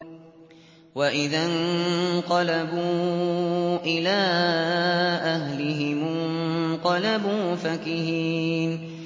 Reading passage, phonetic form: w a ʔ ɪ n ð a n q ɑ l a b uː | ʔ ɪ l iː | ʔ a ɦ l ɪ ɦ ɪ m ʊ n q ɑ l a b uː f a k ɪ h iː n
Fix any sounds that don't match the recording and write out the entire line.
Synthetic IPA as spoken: w a ʔ ɪ ð a n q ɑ l a b uː | ʔ ɪ l aː | ʔ a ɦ l ɪ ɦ ɪ m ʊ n q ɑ l a b uː f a k ɪ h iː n